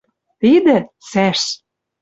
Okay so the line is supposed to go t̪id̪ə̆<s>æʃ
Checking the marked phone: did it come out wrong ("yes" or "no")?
no